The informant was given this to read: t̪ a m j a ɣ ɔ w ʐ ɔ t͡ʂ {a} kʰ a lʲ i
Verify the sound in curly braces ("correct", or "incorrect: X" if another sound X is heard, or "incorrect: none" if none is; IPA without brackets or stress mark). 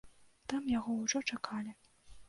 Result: correct